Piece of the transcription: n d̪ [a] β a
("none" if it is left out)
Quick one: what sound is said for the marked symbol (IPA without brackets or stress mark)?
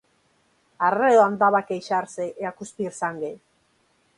a